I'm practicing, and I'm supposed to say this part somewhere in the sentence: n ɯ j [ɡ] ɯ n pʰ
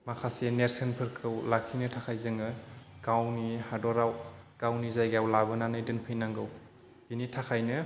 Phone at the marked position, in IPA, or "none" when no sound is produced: d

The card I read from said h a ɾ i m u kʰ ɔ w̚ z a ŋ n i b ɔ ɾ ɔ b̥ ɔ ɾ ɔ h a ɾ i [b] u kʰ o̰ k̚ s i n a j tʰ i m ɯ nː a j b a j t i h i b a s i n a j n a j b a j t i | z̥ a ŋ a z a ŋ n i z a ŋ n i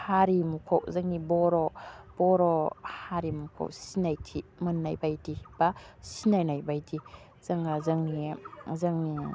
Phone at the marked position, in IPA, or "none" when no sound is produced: m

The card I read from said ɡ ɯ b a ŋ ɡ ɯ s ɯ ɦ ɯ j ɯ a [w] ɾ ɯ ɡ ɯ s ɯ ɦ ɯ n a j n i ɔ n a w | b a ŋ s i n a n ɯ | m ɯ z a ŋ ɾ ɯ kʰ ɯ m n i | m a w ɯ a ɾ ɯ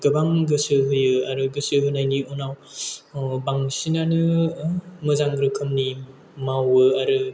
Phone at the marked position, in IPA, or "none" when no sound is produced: none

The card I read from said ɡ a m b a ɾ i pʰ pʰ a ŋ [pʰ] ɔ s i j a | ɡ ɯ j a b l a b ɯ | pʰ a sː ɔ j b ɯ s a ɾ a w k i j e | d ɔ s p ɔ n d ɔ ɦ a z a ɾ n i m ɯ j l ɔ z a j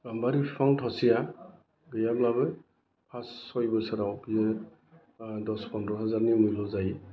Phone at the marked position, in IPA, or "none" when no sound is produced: tʰ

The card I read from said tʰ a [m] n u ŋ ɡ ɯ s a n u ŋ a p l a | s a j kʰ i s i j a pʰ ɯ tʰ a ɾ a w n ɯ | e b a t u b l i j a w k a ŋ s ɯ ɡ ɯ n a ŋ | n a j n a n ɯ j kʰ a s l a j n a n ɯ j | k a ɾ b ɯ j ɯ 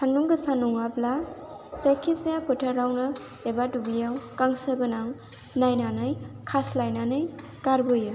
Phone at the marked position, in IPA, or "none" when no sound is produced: ŋ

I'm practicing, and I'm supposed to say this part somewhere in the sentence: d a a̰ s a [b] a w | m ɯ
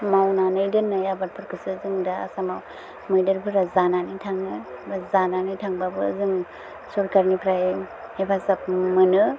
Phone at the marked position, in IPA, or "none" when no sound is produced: m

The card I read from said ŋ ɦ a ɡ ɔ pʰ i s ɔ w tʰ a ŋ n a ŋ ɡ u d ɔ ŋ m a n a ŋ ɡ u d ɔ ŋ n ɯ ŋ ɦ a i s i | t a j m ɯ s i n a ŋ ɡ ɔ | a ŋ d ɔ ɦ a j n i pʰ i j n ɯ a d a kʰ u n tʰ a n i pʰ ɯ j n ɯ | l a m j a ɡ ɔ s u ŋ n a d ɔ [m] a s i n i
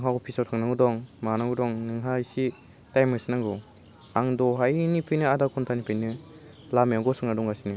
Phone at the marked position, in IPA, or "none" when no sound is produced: ŋ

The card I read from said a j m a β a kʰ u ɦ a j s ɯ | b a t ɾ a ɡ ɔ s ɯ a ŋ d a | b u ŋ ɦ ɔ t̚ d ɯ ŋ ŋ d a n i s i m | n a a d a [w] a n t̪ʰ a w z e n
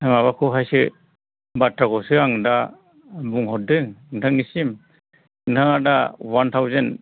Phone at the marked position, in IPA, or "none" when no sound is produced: w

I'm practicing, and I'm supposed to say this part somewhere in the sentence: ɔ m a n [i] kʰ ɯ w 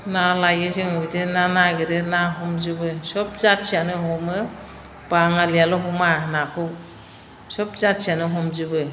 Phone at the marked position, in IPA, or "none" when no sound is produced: a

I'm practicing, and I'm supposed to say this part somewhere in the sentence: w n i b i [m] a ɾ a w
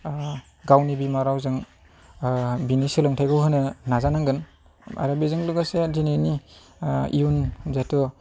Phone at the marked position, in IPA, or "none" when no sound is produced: m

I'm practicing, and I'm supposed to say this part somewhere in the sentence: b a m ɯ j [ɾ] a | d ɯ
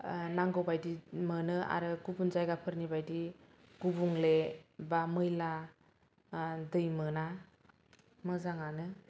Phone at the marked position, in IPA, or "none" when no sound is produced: l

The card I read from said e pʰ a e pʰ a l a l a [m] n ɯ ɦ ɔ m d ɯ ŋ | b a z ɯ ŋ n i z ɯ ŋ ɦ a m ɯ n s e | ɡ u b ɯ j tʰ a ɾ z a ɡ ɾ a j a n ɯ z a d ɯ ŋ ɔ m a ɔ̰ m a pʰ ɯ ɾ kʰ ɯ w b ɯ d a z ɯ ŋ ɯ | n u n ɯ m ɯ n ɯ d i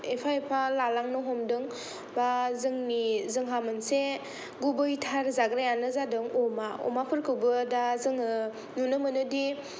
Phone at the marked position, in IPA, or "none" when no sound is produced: ŋ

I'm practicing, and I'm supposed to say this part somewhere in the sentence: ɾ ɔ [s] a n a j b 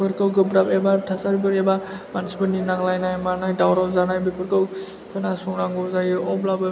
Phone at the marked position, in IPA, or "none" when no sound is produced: z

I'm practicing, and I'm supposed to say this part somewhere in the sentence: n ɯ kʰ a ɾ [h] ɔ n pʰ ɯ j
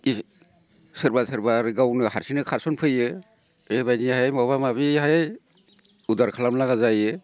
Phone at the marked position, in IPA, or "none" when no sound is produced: s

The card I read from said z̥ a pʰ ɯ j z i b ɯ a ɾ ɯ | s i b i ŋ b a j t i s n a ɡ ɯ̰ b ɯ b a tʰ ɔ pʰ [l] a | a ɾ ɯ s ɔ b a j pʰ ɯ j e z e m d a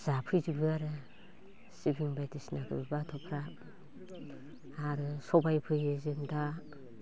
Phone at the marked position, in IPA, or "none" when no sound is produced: ɾ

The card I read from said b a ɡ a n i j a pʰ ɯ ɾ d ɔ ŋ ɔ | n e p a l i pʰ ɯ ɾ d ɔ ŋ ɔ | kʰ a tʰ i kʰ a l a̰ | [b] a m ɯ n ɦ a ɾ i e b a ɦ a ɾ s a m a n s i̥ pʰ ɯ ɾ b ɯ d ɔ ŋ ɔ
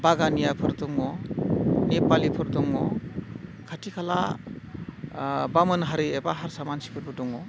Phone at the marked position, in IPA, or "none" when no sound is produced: b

